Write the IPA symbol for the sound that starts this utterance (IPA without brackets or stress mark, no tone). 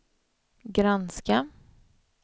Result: ɡ